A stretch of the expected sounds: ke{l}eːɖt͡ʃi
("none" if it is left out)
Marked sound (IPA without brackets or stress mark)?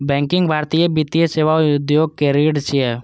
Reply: ɾ